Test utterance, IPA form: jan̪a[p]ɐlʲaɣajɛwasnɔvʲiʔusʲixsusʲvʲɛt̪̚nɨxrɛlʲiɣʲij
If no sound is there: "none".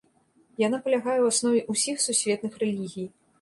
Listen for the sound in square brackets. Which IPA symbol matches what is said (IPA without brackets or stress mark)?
p